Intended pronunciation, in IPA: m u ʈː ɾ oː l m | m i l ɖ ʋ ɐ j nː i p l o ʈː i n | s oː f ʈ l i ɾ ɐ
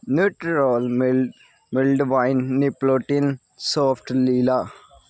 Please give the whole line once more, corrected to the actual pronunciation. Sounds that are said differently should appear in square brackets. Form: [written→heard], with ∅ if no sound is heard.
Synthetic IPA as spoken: [m→n] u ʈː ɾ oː l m | m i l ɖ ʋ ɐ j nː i p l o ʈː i n | s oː f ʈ l i [ɾ→l] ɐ